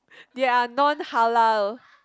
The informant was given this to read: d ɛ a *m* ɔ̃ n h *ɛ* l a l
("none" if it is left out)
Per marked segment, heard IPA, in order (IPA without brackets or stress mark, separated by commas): n, a